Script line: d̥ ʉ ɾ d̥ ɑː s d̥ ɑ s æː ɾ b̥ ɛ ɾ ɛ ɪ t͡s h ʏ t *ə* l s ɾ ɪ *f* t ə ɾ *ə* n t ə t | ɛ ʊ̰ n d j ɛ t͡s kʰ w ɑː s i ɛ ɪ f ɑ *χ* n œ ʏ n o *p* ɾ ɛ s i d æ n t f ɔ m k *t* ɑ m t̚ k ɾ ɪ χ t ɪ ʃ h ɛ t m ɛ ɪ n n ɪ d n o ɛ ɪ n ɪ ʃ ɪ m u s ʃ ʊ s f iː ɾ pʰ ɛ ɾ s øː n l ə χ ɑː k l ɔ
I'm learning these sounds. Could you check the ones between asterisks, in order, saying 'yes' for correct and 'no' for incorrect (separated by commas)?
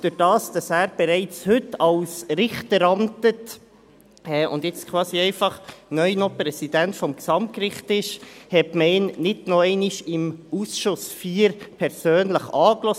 no, no, no, yes, yes, no